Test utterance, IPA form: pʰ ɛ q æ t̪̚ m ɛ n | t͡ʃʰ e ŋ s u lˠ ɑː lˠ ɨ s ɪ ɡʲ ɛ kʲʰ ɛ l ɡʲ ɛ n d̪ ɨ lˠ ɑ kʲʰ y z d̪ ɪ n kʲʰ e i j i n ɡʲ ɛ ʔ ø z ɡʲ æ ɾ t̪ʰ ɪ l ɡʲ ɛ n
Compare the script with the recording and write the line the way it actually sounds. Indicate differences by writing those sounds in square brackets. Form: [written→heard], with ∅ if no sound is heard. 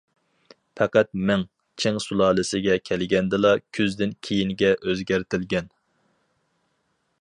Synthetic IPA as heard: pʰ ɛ q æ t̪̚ m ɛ [n→ŋ] | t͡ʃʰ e ŋ s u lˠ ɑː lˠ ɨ s ɪ ɡʲ ɛ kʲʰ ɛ l ɡʲ ɛ n d̪ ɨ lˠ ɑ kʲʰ y z d̪ ɪ n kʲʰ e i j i n ɡʲ ɛ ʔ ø z ɡʲ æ ɾ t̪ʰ ɪ l ɡʲ ɛ n